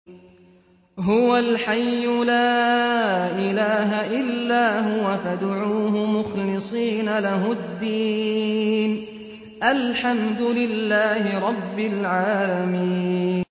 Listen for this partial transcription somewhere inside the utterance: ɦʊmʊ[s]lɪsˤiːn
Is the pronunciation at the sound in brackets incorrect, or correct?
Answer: incorrect